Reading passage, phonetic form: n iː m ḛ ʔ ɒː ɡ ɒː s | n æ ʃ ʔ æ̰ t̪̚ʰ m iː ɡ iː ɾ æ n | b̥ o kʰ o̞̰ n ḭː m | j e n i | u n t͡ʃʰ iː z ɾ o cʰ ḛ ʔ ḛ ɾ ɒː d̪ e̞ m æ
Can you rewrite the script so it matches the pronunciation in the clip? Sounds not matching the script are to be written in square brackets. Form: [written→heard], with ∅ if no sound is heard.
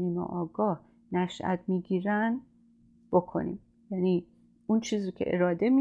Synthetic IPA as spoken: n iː m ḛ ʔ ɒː ɡ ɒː [s→h] | n æ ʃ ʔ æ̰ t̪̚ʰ m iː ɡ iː ɾ æ n | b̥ o kʰ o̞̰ n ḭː m | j [e→æ] n i | u n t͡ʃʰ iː z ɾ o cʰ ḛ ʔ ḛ ɾ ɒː d̪ e̞ m [æ→i]